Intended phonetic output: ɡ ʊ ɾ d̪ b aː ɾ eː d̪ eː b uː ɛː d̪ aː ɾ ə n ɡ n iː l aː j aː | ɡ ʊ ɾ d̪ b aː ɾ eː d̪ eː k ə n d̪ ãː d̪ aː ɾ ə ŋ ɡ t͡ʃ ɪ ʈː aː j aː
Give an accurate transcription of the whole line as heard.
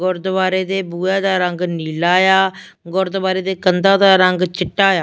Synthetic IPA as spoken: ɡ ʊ ɾ d̪ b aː ɾ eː d̪ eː b uː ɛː d̪ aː ɾ ə ŋ ɡ n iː l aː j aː | ɡ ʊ ɾ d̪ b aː ɾ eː d̪ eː k ə n d̪ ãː d̪ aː ɾ ə ŋ ɡ t͡ʃ ɪ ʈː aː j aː